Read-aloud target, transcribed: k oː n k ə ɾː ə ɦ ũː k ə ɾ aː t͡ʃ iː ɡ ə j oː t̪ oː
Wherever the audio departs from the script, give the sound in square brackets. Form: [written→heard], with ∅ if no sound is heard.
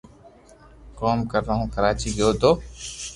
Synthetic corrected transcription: k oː [n→m] k ə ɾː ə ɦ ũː k ə ɾ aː t͡ʃ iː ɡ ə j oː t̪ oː